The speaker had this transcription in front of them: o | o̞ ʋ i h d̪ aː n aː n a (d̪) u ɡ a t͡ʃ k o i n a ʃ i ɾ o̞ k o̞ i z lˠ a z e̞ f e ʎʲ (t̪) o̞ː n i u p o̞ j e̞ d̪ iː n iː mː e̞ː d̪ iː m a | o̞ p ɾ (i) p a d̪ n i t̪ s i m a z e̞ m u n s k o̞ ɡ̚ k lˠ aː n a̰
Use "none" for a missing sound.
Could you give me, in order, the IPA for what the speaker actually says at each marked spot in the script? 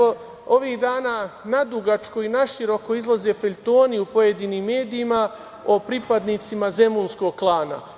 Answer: d̪, t̪, i

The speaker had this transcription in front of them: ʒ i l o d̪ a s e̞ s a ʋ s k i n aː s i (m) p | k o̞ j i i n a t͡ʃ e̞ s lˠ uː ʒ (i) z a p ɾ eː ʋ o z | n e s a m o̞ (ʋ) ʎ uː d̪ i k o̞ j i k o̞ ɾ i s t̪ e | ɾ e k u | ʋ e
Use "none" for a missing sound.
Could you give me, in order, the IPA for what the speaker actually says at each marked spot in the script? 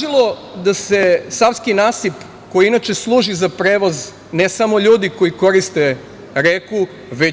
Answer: none, i, none

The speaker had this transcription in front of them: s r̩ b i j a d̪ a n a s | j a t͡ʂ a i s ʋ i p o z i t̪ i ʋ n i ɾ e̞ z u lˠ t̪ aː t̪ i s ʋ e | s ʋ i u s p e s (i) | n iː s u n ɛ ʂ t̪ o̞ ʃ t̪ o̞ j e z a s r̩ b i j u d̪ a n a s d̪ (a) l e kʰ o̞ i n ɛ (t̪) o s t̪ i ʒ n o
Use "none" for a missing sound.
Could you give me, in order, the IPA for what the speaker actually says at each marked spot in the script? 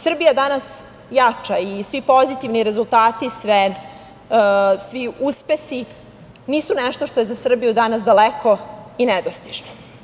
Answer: i, a, d̪

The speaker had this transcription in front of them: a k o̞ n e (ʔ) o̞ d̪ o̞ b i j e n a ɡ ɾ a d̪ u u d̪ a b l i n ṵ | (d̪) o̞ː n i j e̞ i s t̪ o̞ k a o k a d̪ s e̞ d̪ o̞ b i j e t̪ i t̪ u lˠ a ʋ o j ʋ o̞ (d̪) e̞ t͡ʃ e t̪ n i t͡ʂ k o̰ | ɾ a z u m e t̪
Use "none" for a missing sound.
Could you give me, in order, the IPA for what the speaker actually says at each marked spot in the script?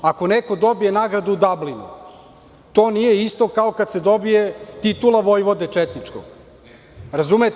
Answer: k, t̪, d̪

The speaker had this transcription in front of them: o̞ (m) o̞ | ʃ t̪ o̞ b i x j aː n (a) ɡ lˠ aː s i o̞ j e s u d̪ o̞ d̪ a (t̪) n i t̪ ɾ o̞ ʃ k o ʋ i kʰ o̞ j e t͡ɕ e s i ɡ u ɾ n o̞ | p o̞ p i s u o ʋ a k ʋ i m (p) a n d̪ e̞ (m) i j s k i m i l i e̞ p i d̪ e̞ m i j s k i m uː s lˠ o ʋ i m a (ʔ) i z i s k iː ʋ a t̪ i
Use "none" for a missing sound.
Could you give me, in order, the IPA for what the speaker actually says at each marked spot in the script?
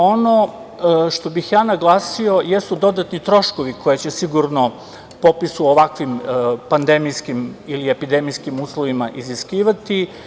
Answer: n, a, t̪, p, m, ʔ

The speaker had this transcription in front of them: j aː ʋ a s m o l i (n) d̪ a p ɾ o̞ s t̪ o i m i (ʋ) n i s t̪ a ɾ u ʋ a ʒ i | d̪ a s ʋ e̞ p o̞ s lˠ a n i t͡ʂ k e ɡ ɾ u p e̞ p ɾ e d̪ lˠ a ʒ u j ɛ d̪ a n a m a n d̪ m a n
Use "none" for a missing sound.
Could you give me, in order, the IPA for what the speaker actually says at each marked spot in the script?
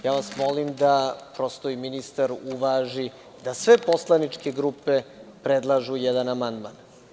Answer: m, none

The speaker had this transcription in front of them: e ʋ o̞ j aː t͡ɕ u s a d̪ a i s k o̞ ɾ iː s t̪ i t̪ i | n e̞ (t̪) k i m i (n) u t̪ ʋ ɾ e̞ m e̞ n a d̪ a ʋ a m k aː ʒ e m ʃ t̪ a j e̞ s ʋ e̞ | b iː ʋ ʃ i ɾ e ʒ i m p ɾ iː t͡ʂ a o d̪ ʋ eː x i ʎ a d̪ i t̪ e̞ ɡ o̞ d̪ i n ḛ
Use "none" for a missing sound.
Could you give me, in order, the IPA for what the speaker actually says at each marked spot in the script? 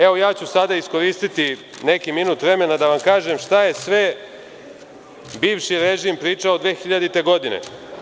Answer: none, n

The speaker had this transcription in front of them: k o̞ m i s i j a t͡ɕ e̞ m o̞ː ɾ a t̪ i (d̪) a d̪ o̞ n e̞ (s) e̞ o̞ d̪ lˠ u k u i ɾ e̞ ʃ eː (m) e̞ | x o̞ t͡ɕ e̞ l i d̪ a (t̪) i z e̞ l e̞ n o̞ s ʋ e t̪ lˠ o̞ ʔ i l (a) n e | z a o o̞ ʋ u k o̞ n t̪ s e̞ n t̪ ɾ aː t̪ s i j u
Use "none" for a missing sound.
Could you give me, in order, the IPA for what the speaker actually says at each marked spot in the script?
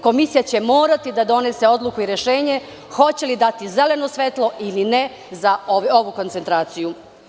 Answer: d̪, s, ɲ, t̪, i

